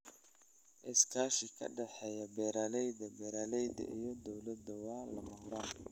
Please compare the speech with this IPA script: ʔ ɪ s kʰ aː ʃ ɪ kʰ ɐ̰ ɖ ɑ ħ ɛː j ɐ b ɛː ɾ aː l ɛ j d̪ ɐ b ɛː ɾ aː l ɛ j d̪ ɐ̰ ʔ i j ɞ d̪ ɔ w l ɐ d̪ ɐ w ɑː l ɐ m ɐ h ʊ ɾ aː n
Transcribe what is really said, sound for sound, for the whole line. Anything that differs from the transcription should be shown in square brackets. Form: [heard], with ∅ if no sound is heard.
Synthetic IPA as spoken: ʔ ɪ s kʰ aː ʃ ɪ kʰ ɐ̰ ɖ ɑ ħ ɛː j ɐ b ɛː ɾ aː l ɛ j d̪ ɐ b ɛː ɾ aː l ɛ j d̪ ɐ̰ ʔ i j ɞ d̪ ɔ w l ɐ d̪ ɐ w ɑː l ɐ m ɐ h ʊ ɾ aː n